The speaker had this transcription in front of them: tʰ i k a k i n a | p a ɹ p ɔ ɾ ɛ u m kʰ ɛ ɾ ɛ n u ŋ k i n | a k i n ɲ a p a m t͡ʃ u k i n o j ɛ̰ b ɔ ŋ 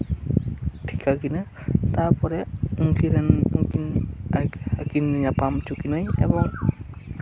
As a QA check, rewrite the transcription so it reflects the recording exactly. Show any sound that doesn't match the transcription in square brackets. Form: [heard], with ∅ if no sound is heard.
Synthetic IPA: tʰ i k a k i n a | [t] a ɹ p ɔ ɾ ɛ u [ŋ] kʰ [i] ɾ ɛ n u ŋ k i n | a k i n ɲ a p a m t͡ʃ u k i n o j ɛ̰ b ɔ ŋ